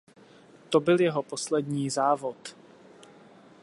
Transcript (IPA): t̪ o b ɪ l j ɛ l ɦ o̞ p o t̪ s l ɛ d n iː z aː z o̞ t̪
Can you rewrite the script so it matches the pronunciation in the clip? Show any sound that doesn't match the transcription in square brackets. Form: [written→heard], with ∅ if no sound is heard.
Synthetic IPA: t̪ o b ɪ l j ɛ [l→∅] ɦ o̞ p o [t̪→∅] s l ɛ d [n→ɲ] iː z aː [z→v] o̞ t̪